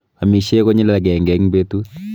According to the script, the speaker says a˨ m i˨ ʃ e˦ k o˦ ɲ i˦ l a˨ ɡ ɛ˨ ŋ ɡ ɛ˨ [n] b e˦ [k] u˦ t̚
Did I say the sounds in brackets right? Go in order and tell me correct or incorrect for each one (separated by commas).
incorrect, incorrect